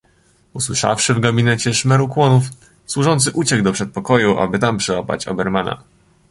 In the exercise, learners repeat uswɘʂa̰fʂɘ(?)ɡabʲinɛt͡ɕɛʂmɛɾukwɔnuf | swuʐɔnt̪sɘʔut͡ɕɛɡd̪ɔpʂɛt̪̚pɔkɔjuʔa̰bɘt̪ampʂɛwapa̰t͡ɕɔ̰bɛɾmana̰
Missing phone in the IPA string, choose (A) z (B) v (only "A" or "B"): B